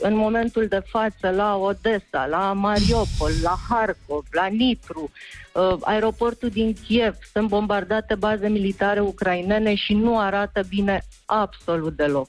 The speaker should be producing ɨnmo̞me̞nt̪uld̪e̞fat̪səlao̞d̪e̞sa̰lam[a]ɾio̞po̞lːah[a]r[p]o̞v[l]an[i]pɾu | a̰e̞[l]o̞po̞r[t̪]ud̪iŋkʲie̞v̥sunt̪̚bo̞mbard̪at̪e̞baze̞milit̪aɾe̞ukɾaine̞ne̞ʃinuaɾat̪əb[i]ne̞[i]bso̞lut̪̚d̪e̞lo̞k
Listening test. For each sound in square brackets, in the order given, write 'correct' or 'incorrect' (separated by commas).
correct, correct, incorrect, correct, correct, incorrect, correct, correct, incorrect